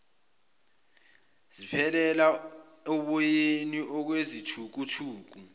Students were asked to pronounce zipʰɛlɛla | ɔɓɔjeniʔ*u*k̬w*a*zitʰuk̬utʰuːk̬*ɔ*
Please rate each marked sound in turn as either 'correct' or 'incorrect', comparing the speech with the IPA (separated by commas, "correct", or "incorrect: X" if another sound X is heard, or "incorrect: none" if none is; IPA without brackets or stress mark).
incorrect: ɔ, incorrect: e, incorrect: u